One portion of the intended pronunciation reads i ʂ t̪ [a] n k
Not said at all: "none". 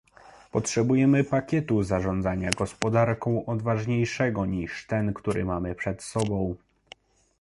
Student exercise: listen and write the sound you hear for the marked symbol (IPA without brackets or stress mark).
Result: ɛ